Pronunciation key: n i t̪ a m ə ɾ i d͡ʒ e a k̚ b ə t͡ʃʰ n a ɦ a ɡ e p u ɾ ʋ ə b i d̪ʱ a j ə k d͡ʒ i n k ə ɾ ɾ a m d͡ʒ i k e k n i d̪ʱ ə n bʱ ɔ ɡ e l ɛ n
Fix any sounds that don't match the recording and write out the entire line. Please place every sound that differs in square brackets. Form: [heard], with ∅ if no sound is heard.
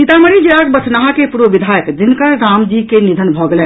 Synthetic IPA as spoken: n i t̪ a m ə ɾ i d͡ʒ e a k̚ b ə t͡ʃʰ n a ɦ a [k] e p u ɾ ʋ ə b i d̪ʱ a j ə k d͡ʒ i n k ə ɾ ɾ a m d͡ʒ i k e [∅] n i d̪ʱ ə n bʱ ɔ ɡ e l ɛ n